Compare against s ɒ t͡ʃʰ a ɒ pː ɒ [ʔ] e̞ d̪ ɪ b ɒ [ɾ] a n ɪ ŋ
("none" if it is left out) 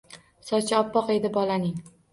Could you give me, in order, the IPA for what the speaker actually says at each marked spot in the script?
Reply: q, l

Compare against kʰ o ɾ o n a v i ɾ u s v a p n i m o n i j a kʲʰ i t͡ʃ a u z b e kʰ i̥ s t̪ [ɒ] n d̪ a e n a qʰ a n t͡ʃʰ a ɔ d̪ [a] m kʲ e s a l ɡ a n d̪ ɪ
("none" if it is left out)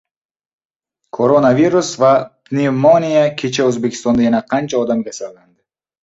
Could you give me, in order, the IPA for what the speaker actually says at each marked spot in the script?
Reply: ɔ, a

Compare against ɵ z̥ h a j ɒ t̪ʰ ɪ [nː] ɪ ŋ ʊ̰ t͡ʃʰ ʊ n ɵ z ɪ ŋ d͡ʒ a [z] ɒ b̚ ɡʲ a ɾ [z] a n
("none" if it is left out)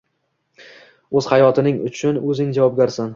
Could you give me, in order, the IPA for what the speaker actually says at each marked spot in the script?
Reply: n, v, s

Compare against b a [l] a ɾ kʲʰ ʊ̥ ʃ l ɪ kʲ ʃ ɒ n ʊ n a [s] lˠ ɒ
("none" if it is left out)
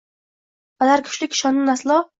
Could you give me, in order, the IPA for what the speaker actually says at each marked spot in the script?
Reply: l, s

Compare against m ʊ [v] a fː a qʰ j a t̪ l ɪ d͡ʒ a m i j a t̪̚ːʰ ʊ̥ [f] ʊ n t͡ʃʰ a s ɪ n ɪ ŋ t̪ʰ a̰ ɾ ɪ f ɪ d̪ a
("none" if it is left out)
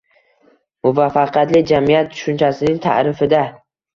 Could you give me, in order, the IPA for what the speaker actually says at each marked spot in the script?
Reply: v, ʃ

